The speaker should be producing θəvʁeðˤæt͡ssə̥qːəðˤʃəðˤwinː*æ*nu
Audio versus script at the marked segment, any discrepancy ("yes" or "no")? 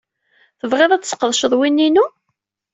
yes